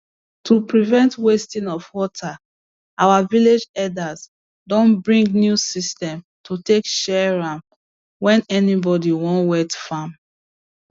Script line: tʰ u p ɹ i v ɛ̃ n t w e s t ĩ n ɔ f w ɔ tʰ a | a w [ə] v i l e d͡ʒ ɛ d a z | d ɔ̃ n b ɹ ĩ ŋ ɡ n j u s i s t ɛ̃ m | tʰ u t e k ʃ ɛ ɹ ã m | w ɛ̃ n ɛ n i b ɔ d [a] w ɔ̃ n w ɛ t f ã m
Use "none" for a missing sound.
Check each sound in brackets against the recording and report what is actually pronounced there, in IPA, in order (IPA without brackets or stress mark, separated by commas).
a, i